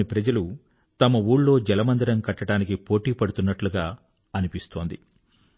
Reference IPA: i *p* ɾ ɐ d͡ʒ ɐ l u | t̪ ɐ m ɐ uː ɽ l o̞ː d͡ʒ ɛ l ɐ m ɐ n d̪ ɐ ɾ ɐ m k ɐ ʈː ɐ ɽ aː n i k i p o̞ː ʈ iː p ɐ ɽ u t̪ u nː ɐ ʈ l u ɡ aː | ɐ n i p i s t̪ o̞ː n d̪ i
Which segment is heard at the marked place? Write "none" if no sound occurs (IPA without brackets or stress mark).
p